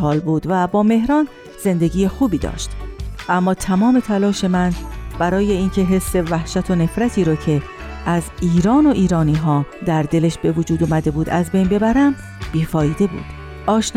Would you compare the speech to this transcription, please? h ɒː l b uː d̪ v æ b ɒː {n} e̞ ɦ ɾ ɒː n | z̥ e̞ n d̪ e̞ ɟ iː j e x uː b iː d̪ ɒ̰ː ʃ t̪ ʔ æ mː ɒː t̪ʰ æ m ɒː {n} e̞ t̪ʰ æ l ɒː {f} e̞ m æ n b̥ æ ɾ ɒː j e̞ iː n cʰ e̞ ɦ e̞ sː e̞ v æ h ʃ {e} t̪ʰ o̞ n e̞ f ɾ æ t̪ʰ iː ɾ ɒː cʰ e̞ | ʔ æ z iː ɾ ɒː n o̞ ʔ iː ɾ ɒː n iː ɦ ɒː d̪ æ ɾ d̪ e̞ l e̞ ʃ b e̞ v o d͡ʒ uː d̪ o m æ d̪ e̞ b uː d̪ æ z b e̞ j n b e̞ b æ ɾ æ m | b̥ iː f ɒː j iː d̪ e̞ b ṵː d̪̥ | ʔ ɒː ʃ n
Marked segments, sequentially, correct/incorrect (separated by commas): incorrect, incorrect, incorrect, incorrect